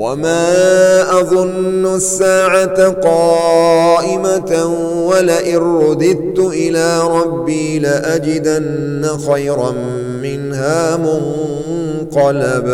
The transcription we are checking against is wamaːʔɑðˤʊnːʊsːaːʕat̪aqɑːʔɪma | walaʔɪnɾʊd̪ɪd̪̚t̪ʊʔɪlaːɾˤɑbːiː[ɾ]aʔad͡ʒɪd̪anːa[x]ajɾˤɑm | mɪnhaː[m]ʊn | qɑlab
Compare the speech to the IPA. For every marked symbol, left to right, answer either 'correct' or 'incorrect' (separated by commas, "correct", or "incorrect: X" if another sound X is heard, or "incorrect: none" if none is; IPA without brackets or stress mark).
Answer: incorrect: l, correct, correct